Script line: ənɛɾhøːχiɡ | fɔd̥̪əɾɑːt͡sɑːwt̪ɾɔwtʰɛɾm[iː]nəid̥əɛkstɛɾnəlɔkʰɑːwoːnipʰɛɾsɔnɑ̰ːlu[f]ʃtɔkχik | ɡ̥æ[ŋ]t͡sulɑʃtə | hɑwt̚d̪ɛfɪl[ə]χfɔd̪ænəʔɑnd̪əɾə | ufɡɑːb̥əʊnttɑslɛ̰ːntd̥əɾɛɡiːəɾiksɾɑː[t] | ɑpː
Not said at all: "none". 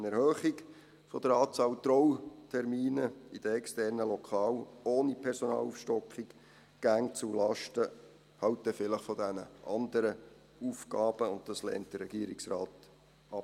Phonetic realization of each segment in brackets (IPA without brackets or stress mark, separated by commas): iː, f, ŋ, ə, t